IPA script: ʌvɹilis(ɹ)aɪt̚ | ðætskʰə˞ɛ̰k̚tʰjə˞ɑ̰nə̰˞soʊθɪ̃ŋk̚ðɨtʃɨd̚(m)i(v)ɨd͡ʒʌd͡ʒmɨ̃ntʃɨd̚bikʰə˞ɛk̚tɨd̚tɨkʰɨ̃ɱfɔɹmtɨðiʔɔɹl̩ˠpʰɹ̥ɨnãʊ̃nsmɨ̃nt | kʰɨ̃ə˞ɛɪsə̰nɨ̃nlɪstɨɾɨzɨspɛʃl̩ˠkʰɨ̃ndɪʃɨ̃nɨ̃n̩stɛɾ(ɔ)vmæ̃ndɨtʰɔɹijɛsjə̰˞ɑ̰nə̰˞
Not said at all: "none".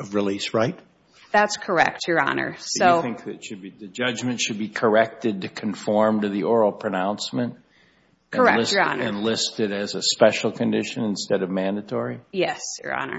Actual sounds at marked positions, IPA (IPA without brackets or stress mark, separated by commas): ɹ, b, ð, ʌ